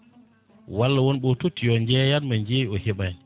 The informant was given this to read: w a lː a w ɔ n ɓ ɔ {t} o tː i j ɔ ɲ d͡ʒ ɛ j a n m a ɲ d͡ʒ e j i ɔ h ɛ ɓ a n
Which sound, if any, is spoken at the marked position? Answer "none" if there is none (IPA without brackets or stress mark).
t